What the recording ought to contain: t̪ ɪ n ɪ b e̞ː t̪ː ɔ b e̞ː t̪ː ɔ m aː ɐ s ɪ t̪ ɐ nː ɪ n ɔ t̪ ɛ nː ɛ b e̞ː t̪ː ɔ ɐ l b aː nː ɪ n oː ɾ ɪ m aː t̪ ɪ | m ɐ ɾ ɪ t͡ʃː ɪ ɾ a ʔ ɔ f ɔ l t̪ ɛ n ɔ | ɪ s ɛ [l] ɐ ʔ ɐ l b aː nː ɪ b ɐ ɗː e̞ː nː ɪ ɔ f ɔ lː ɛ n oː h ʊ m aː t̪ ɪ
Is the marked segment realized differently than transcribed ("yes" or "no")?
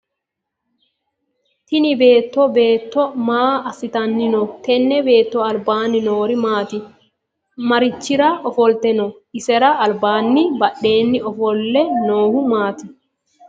yes